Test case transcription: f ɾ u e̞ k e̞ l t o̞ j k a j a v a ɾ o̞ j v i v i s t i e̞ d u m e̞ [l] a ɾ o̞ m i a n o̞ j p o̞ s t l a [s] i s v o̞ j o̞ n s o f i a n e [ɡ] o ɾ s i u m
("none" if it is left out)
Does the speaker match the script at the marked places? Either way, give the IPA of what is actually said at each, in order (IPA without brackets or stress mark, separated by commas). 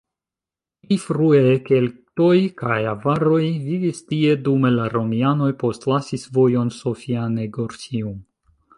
l, s, ɡ